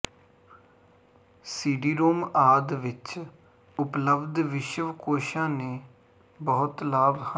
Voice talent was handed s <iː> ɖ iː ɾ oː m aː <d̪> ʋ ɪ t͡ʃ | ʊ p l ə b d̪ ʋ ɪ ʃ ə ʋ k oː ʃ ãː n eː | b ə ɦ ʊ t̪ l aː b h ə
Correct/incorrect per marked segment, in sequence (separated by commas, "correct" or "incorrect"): correct, correct